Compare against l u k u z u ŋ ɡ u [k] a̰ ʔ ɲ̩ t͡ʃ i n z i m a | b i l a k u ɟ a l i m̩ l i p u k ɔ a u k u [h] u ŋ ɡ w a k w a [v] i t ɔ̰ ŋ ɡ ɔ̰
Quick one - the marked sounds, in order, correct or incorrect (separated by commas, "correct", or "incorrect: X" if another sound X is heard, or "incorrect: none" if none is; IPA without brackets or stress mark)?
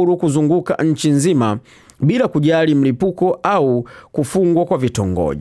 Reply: correct, incorrect: f, correct